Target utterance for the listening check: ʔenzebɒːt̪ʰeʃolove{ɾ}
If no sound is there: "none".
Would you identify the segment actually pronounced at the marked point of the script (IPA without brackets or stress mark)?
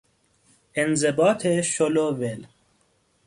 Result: l